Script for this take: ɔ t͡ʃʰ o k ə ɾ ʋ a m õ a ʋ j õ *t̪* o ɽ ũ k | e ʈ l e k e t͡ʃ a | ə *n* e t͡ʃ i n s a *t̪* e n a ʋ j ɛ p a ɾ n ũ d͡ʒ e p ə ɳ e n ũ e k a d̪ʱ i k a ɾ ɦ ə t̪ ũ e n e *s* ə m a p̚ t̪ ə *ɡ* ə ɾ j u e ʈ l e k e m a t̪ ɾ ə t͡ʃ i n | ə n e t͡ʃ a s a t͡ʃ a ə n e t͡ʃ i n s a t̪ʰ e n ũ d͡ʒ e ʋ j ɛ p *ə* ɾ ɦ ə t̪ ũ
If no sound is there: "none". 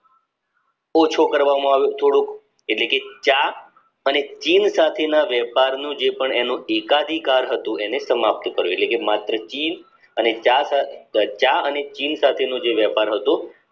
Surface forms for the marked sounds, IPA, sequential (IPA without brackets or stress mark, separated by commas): t̪ʰ, n, t̪ʰ, s, k, a